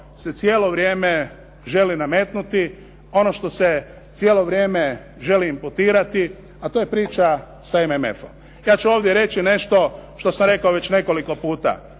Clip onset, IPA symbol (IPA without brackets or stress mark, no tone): s